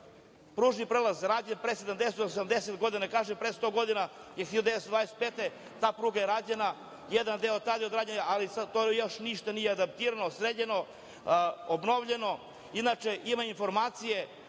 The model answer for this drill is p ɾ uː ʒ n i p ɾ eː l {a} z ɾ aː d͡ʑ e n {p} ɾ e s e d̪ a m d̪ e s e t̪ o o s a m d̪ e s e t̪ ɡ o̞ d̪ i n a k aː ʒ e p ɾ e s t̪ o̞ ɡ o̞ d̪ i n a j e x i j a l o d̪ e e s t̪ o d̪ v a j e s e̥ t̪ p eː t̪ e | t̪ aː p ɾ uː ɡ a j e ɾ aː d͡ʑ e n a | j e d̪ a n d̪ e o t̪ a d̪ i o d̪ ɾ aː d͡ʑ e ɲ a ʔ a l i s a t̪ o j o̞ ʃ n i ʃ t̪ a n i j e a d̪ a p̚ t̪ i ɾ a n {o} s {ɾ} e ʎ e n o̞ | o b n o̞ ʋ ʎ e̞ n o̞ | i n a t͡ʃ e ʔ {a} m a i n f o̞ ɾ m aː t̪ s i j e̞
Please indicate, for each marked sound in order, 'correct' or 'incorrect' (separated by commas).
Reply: correct, correct, correct, correct, incorrect